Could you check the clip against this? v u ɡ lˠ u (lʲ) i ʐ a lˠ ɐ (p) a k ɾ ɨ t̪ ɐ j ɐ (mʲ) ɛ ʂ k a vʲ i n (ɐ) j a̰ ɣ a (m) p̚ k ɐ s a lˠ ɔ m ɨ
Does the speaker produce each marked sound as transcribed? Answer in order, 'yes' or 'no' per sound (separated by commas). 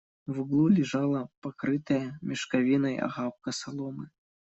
yes, yes, yes, yes, no